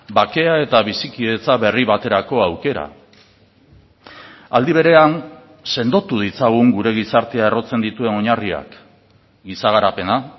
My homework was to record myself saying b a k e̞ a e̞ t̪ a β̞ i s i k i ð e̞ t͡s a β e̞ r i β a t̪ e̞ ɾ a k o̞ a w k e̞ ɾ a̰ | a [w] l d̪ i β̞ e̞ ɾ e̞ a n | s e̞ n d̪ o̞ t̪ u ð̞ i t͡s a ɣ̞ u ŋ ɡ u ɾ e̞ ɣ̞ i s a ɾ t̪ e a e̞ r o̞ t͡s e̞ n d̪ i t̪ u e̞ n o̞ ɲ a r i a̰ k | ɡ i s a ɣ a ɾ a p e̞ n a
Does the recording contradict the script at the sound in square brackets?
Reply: yes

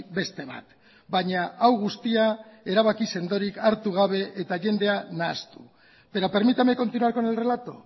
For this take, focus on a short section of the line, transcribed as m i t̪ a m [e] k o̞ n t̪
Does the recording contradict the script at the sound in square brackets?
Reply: no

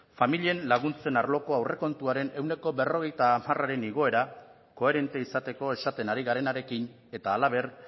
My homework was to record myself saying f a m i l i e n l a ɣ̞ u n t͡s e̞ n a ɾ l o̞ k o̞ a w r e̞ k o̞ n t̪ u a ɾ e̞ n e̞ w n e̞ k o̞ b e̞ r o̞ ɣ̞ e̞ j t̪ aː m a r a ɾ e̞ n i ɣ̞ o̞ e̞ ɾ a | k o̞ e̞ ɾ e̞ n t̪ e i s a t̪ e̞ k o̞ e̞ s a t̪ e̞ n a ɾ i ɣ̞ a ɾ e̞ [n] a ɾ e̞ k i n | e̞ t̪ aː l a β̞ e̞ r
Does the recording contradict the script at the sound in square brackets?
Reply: no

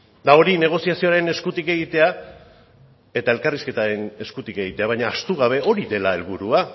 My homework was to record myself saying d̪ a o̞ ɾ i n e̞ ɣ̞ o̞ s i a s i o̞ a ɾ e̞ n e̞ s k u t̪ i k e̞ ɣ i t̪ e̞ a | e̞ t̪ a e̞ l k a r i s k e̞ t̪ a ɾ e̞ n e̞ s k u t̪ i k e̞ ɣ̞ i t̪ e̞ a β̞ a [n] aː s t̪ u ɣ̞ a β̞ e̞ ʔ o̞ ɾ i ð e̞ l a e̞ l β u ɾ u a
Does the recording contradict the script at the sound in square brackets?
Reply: yes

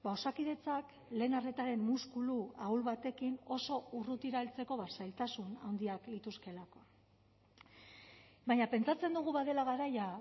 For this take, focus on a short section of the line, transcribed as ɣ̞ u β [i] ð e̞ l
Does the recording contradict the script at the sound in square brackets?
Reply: yes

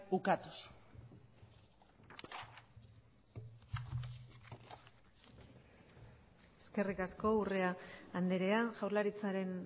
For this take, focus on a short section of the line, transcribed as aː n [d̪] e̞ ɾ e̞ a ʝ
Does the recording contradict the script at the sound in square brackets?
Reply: no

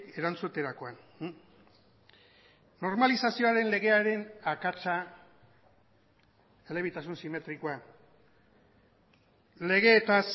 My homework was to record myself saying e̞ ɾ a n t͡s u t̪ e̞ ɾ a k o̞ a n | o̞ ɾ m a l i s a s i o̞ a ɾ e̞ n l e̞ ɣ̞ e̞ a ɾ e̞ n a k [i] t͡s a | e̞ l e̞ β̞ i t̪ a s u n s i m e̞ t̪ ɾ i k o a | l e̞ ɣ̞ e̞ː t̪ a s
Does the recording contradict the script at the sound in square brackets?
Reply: yes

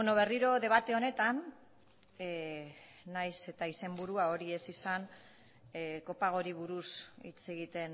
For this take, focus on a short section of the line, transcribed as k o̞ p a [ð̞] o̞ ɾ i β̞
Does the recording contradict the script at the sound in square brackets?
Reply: yes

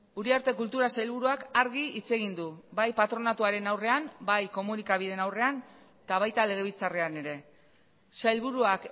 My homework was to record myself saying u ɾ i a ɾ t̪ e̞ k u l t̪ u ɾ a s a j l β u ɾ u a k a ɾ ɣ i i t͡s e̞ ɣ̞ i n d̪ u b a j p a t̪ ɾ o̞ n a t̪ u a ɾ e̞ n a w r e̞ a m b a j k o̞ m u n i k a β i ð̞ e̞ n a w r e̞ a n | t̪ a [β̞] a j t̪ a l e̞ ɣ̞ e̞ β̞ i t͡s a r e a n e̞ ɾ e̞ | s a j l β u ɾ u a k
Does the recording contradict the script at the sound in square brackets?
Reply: no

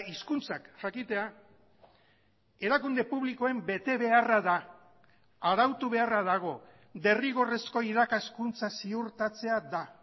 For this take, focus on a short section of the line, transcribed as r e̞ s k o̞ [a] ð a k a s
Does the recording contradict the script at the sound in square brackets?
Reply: yes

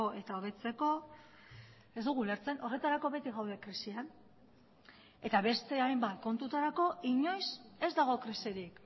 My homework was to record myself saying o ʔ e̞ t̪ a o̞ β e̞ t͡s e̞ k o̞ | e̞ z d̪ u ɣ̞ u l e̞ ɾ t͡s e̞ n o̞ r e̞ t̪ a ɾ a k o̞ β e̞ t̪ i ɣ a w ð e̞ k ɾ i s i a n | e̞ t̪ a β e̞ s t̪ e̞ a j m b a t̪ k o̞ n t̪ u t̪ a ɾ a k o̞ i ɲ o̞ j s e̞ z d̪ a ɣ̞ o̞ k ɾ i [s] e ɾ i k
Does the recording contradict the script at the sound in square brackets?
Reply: no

